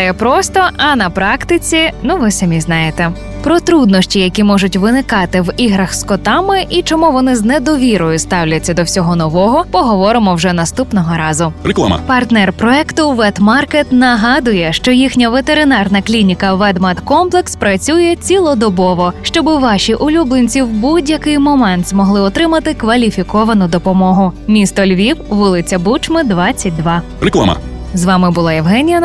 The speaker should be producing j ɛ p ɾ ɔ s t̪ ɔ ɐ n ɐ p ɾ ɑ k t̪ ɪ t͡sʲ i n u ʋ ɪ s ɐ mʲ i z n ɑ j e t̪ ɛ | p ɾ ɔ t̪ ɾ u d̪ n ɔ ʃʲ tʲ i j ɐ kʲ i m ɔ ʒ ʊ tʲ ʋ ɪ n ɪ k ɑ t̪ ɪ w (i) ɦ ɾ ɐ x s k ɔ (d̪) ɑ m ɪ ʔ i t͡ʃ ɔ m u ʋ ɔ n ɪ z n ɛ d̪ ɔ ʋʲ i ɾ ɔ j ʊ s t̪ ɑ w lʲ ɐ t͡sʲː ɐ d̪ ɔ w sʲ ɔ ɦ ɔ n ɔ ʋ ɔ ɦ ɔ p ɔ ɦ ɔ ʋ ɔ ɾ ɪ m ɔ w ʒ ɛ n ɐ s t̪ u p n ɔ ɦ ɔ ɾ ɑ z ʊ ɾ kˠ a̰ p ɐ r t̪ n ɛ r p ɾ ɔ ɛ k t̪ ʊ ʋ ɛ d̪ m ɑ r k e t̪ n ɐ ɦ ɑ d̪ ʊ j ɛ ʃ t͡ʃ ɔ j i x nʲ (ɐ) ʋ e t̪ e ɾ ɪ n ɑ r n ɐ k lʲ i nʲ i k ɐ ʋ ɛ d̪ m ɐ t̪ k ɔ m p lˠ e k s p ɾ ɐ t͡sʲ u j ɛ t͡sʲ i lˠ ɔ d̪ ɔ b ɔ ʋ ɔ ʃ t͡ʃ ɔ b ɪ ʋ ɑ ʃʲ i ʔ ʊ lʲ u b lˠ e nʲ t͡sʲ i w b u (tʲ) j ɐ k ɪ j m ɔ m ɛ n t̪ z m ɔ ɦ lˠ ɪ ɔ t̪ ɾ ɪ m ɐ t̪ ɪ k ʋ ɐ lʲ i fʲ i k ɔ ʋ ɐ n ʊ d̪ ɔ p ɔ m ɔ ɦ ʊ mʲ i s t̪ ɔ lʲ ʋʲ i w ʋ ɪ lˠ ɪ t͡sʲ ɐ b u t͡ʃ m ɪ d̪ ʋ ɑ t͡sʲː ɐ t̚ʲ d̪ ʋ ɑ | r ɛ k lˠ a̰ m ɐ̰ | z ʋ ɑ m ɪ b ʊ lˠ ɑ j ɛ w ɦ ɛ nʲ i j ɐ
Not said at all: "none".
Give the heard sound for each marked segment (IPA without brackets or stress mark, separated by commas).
i, t̪, ɐ, dʲ